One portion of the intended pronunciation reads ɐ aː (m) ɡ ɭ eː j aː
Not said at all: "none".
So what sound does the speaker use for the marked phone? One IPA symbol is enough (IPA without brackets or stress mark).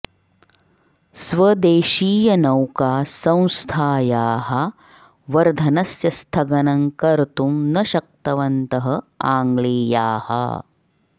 ŋ